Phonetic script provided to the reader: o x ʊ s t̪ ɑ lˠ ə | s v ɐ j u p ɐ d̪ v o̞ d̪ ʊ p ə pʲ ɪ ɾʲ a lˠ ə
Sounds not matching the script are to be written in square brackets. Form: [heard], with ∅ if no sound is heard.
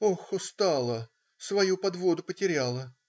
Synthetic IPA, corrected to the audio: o x ʊ s t̪ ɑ lˠ ə | s v ɐ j u p ɐ d̪ v o̞ d̪ ʊ p ə [tʲ] ɪ ɾʲ a lˠ ə